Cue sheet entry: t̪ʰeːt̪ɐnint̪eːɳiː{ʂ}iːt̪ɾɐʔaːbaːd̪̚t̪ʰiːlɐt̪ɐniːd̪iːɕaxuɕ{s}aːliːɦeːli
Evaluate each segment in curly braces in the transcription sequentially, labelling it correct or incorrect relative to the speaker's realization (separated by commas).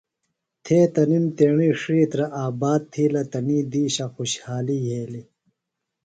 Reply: correct, incorrect